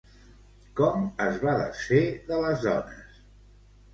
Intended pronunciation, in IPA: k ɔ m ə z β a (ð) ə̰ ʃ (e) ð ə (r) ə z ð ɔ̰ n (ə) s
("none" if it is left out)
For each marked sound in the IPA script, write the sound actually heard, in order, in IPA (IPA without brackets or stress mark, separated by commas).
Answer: ð, e, l, ə